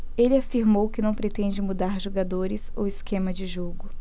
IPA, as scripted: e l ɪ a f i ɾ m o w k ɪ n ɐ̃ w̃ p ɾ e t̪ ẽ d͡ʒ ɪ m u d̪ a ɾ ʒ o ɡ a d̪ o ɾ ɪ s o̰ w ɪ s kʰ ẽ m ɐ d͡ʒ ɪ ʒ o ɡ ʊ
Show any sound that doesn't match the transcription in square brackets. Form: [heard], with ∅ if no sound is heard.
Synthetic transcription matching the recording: e l ɪ a f i ɾ m o w k ɪ n ɐ̃ w̃ p ɾ e t̪ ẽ d͡ʒ ɪ m u d̪ a ɾ ʒ o ɡ a d̪ o ɾ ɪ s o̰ w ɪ s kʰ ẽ m ɐ d͡ʒ ɪ ʒ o ɡ ʊ